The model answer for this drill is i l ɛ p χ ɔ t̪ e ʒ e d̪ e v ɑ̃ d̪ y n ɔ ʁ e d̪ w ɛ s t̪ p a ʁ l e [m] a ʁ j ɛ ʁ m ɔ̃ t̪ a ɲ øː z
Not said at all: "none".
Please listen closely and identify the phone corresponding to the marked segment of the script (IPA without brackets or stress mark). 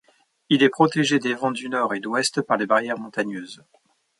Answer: b